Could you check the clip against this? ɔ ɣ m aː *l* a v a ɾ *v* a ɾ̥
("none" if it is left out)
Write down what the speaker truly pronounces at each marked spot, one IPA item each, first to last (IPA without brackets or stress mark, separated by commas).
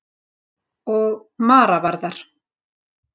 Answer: ɾ, ð